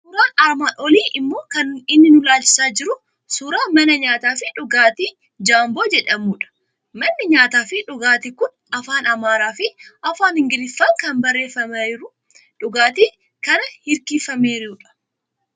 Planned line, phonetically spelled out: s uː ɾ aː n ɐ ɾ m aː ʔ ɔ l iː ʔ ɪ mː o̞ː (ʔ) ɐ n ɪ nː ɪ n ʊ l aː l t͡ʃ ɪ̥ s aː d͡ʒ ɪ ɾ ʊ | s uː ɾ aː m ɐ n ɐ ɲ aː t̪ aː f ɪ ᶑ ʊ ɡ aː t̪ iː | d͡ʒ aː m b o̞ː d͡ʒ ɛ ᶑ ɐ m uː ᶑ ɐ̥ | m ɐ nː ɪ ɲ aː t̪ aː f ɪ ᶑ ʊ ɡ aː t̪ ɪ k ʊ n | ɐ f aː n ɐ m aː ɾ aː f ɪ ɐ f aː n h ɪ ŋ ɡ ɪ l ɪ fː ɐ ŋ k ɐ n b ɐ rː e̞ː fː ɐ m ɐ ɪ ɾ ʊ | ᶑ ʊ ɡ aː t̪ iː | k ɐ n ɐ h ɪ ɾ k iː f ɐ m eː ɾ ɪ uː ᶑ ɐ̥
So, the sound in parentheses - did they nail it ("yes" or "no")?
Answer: no